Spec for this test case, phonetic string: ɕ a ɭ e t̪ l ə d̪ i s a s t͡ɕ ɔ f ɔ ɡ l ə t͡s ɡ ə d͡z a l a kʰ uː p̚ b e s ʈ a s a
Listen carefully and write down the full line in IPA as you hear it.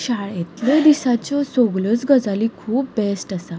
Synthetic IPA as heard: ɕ a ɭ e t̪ l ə d̪ i s a t͡ɕ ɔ s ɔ ɡ l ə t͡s ɡ ə d͡z a l i kʰ uː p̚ b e s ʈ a s a